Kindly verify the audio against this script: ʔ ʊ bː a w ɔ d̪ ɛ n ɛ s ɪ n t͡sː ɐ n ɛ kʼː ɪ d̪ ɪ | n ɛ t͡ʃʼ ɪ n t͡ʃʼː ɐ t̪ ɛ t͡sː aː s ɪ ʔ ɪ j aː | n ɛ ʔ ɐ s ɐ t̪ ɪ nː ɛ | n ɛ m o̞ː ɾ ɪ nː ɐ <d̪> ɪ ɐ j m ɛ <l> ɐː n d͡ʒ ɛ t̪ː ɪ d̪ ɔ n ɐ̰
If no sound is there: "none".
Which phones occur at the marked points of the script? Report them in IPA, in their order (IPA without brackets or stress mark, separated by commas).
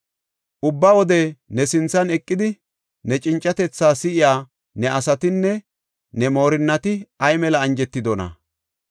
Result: t̪, l